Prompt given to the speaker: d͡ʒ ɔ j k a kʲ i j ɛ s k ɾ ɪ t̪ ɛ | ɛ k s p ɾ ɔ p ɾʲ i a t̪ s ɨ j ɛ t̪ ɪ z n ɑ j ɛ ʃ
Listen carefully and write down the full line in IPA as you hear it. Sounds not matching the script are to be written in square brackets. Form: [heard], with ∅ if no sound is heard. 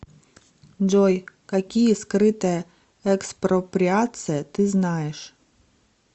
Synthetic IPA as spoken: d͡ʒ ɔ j k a kʲ i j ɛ s k ɾ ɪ t̪ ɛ | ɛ k s p ɾ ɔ p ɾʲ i a t̪ s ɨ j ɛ t̪ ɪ z n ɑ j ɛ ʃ